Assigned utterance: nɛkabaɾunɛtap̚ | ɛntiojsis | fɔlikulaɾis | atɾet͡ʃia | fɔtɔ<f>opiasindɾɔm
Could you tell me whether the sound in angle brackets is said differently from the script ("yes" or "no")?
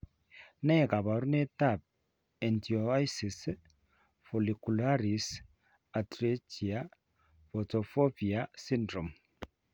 no